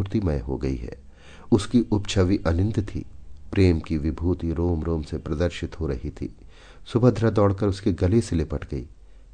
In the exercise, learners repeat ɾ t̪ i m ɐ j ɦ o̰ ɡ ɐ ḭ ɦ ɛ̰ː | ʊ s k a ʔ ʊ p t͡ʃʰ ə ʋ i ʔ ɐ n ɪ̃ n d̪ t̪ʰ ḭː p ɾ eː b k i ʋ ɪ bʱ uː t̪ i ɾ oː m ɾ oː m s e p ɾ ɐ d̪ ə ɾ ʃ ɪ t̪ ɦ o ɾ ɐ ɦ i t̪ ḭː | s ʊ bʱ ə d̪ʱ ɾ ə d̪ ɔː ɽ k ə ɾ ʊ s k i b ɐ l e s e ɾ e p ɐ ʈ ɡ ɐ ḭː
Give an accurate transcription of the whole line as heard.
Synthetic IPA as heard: ɾ t̪ i m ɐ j ɦ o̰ ɡ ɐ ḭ ɦ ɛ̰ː | ʊ s k i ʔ ʊ p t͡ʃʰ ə ʋ i ʔ ɐ n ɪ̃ n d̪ t̪ʰ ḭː p ɾ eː m k i ʋ ɪ bʱ uː t̪ i ɾ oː m ɾ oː m s e p ɾ ɐ d̪ ə ɾ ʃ ɪ t̪ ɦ o ɾ ɐ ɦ i t̪ʰ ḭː | s ʊ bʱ ə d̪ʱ ɾ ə d̪ ɔː ɽ k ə ɾ ʊ s k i ɡ ɐ l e s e l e p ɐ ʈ ɡ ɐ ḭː